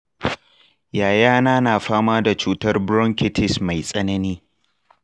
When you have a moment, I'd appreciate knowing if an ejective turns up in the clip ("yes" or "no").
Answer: yes